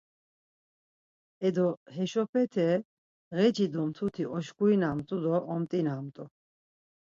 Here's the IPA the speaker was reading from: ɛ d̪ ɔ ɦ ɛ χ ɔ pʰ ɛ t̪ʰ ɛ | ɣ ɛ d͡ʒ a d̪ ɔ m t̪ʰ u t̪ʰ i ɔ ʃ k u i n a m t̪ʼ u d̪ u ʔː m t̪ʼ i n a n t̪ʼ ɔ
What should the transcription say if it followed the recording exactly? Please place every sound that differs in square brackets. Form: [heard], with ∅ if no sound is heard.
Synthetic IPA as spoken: ɛ d̪ ɔ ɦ ɛ [ʃ] ɔ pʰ ɛ t̪ʰ ɛ | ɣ ɛ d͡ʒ [i] d̪ ɔ m t̪ʰ u t̪ʰ i ɔ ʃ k u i n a m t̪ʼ u d̪ [ɔ] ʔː m t̪ʼ i n a [m] t̪ʼ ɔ